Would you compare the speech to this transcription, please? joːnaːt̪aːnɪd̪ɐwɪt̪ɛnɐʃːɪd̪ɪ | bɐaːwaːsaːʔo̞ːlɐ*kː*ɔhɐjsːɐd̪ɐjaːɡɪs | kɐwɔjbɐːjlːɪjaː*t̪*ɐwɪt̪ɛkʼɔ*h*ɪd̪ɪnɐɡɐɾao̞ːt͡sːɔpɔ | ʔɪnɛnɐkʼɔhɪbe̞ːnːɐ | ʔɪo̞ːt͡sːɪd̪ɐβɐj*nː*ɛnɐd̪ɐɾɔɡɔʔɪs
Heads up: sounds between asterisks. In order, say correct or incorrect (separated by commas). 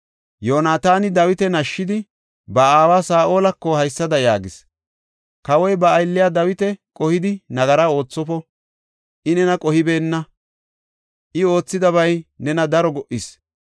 correct, incorrect, correct, incorrect